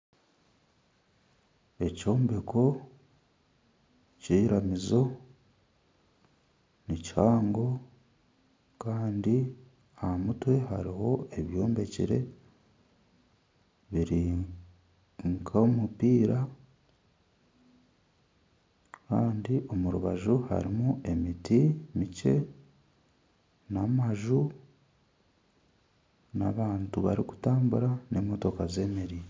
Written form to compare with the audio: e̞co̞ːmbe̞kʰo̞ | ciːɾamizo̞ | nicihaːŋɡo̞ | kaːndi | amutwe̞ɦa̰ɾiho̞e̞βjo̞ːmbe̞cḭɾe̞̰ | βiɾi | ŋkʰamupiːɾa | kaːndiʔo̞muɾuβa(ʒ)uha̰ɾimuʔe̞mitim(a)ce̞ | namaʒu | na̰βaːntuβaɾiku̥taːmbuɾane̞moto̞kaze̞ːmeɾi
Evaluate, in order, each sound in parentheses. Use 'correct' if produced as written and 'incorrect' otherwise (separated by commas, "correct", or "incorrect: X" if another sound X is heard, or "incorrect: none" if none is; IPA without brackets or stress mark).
correct, incorrect: i